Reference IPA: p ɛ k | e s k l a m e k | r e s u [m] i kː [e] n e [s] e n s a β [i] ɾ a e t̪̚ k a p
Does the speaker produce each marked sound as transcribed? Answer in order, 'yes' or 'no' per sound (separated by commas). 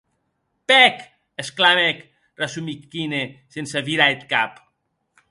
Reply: yes, no, yes, yes